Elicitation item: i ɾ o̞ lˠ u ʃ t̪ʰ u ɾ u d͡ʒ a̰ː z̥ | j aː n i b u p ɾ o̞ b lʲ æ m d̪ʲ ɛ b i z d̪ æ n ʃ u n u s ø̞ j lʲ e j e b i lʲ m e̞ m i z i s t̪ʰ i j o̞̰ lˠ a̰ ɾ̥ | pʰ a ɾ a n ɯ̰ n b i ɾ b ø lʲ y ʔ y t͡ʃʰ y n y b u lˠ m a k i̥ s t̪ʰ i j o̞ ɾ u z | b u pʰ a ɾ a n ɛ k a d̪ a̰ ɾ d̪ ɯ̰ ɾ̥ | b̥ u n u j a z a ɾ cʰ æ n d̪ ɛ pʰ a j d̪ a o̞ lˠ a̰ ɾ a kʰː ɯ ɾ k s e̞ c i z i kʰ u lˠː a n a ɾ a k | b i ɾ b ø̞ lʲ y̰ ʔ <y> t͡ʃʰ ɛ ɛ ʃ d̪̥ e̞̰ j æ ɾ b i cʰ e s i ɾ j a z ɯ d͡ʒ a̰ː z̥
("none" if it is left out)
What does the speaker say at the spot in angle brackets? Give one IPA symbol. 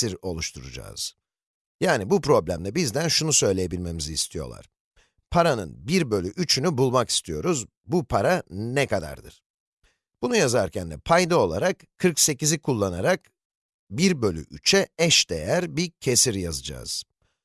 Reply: y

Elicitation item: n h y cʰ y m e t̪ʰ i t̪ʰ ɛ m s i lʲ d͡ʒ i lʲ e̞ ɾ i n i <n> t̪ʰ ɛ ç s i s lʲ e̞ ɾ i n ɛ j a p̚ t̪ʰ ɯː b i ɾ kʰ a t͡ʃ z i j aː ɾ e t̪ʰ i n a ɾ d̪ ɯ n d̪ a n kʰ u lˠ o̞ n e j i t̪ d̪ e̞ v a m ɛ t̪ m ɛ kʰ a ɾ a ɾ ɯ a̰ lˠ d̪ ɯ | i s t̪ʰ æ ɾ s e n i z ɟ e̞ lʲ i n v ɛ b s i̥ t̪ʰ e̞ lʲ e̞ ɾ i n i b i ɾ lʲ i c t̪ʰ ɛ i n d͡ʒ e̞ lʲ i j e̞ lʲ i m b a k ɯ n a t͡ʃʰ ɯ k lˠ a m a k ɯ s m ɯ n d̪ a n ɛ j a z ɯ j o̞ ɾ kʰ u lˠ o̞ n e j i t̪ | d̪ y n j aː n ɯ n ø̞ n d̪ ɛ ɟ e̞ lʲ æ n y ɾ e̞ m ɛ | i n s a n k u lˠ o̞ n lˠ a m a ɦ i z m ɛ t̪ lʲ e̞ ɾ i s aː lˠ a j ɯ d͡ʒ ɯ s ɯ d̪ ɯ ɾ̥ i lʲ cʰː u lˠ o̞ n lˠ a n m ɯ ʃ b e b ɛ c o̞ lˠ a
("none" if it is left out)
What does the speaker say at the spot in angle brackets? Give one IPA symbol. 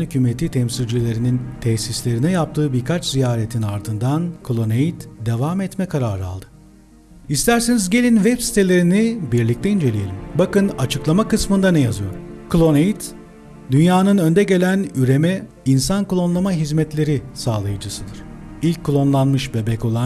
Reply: n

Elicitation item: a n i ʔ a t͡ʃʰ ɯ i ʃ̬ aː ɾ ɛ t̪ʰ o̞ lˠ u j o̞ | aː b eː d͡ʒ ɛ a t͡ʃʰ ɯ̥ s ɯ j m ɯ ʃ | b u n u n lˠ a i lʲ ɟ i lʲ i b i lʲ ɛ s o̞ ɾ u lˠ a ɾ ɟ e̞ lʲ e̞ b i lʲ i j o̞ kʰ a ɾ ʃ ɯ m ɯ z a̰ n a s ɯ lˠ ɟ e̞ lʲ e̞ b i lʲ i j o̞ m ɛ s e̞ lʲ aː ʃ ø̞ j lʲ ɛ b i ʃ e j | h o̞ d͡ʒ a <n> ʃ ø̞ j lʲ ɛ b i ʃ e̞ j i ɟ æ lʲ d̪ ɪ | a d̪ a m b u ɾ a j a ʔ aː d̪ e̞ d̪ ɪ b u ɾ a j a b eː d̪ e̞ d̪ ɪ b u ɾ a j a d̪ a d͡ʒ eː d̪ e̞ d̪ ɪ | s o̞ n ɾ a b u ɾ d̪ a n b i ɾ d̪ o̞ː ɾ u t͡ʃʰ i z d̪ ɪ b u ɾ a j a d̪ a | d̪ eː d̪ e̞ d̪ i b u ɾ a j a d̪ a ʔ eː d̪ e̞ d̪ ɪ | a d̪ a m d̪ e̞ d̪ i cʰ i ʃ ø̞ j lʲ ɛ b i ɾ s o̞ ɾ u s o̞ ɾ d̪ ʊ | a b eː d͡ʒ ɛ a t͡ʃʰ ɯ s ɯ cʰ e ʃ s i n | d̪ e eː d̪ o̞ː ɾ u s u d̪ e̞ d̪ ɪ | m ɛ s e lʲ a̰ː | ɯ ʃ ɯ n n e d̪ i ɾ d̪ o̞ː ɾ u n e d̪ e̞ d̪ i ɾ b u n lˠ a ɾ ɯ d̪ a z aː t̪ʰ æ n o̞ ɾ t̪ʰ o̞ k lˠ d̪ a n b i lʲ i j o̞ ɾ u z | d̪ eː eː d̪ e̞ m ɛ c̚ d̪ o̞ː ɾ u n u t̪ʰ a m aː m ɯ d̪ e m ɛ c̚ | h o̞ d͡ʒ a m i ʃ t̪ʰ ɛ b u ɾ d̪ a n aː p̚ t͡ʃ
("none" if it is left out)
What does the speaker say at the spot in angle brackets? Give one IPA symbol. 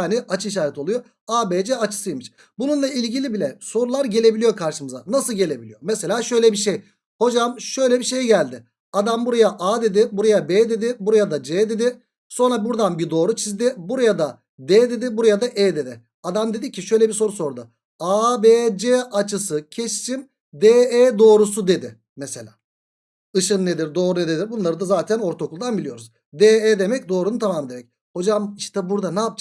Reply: m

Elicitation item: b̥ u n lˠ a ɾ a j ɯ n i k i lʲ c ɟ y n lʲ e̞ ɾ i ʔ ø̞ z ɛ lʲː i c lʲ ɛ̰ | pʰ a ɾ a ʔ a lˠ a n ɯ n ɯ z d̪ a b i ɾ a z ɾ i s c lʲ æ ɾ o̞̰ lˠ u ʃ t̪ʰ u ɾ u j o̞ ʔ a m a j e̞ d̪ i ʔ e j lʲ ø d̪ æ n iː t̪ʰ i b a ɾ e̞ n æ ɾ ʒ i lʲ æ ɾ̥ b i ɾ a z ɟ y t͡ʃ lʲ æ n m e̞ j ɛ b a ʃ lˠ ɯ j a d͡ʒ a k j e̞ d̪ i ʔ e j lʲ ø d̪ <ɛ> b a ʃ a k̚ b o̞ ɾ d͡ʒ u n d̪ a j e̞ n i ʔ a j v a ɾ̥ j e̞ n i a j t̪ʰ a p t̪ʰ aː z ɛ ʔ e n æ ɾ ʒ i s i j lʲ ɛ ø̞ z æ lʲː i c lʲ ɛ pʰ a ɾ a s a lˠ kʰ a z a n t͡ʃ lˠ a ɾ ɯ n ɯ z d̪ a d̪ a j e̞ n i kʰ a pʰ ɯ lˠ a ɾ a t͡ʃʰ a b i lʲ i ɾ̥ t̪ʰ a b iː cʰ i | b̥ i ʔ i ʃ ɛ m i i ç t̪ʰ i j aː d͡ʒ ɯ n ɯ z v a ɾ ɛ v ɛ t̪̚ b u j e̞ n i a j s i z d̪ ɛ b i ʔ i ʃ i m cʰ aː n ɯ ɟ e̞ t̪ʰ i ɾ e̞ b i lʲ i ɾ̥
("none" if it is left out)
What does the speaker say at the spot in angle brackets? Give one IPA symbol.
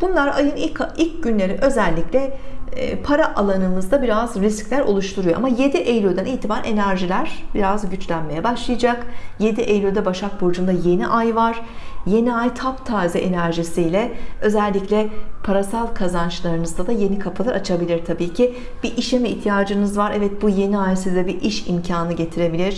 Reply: ɛ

